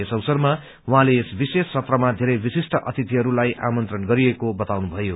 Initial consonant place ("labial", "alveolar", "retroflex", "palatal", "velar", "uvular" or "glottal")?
alveolar